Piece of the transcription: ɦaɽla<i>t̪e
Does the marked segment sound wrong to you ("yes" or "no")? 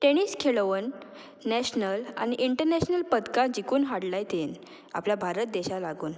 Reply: yes